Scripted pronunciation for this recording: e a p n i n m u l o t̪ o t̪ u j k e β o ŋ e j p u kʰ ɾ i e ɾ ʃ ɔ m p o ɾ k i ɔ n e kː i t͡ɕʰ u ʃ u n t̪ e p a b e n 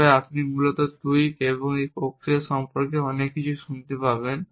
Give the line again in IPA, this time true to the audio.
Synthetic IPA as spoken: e a p n i m u l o t̪ o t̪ u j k e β o ŋ e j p o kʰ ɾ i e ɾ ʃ ɔ m p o ɾ k e ɔ n e kː i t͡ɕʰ u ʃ u n t̪ e p a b e n